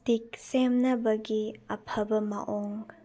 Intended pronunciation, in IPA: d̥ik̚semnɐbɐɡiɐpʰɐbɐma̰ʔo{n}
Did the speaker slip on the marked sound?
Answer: yes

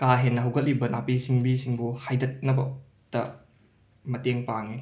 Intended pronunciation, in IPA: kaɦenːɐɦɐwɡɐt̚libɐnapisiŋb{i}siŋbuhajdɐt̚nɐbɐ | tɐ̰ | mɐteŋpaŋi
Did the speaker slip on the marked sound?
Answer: no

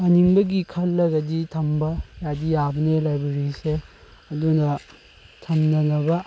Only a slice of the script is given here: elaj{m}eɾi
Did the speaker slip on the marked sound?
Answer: yes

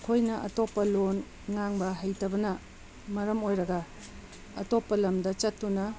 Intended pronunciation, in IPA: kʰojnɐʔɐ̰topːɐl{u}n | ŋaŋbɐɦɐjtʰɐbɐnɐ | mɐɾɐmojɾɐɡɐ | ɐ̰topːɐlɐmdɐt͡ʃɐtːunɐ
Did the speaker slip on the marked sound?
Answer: yes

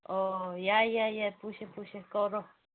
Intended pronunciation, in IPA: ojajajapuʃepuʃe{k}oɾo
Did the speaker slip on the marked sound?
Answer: no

